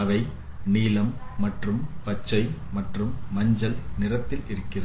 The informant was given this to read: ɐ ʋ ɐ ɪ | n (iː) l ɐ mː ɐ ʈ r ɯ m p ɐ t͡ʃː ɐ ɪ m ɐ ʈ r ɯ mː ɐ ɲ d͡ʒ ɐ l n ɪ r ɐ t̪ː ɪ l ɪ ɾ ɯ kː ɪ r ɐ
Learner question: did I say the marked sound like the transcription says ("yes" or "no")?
yes